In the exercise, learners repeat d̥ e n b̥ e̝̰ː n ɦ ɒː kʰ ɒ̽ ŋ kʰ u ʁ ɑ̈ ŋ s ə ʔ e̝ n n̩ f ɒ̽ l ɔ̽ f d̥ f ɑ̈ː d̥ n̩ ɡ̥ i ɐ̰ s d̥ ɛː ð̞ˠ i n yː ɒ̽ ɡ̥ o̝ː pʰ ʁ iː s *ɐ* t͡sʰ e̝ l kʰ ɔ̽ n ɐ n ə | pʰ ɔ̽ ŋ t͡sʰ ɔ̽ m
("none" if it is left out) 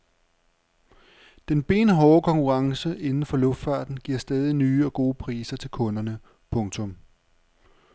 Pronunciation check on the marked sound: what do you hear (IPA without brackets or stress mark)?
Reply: ɐ